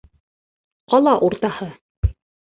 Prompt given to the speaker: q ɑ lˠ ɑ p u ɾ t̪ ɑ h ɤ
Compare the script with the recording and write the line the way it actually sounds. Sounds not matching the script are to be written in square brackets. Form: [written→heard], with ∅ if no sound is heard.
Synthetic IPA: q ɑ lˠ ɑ [p→ʔ] u ɾ t̪ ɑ h ɤ